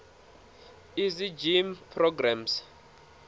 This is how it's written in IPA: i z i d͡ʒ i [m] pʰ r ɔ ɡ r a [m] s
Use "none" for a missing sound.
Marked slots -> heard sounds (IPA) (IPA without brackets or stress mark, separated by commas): m, m